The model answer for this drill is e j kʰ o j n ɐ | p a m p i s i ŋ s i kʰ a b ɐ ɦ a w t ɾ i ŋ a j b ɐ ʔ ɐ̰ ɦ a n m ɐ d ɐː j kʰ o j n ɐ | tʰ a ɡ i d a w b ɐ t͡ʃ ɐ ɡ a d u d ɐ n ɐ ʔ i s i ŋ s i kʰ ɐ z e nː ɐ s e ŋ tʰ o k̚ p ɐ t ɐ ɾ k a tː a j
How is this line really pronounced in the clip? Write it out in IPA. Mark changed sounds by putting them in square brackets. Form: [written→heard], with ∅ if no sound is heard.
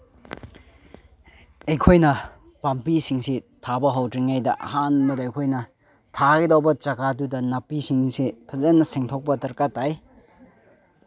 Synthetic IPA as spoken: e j kʰ o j n ɐ | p a m p i s i ŋ s i [kʰ→tʰ] a b ɐ ɦ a w t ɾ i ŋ a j [b→d] ɐ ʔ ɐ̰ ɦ a n m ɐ d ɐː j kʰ o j n ɐ | tʰ a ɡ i d a w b ɐ t͡ʃ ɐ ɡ a d u d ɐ n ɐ [ʔ→p] i s i ŋ s i [kʰ→pʰ] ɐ z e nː ɐ s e ŋ tʰ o k̚ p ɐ t ɐ ɾ k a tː a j